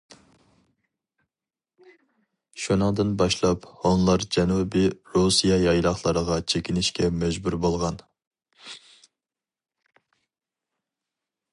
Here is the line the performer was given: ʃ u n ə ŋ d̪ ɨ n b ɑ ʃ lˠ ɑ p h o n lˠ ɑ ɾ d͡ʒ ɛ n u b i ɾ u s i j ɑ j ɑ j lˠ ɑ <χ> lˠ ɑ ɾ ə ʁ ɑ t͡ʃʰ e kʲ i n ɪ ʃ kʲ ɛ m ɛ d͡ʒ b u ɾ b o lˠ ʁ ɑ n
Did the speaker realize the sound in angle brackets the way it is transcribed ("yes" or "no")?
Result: yes